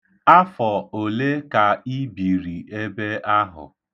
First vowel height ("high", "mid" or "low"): low